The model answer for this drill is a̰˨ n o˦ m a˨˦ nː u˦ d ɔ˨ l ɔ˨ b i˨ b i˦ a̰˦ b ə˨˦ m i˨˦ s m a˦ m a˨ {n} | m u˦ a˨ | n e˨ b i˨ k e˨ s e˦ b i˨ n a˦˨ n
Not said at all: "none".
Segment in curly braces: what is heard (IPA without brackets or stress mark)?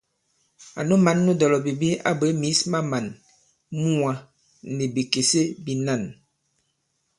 n